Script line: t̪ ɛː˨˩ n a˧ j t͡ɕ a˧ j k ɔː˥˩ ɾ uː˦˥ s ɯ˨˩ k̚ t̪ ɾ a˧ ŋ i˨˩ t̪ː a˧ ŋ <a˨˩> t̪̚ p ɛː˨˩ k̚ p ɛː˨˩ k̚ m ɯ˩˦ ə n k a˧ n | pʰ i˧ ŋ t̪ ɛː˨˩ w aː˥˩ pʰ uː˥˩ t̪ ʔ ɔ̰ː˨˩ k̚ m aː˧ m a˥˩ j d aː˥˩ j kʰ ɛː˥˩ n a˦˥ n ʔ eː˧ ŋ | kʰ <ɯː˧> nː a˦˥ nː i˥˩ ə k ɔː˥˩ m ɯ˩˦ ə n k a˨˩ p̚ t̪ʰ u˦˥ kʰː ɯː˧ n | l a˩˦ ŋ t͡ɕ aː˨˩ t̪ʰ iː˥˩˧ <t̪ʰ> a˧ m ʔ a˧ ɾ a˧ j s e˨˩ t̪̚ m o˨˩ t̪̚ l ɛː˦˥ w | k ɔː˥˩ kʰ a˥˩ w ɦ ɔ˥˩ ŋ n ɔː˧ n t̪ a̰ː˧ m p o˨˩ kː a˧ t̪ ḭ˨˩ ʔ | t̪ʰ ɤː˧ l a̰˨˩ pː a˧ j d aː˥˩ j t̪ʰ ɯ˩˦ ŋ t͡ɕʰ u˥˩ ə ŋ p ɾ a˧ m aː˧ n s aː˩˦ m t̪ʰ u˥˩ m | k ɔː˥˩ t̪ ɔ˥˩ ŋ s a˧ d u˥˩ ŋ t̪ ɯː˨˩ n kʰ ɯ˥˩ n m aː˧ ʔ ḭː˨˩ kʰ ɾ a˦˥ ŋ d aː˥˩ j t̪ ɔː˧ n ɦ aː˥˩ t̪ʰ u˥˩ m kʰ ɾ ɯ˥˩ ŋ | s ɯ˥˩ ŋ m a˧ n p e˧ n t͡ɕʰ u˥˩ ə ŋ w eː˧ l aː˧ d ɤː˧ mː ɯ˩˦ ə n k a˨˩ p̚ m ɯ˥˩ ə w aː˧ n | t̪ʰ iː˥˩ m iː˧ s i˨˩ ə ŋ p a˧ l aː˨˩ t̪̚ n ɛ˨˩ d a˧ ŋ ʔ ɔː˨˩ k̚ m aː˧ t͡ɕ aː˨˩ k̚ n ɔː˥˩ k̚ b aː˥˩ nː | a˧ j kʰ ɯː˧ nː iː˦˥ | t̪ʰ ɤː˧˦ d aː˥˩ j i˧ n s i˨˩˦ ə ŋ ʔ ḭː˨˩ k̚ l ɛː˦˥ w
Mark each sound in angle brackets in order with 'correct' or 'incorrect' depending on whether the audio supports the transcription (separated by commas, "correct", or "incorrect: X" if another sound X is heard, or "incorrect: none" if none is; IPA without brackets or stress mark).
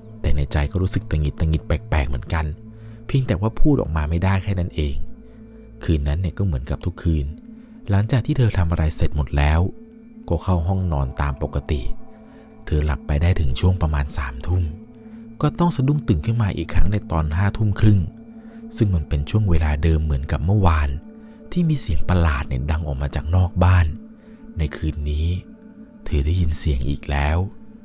incorrect: i˨˩, correct, correct